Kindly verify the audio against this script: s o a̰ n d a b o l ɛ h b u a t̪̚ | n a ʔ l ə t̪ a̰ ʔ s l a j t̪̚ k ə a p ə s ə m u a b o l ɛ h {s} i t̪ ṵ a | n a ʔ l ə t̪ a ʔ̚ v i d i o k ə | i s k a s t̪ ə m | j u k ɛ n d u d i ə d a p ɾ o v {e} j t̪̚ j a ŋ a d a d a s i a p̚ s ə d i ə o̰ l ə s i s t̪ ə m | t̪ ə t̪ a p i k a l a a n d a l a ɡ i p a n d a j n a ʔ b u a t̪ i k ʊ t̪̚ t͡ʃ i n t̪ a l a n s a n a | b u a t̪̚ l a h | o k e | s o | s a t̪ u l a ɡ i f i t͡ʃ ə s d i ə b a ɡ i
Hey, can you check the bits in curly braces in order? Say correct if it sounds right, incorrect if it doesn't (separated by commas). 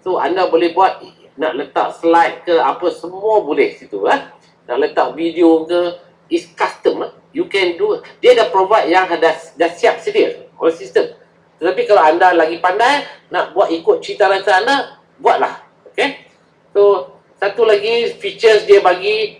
correct, incorrect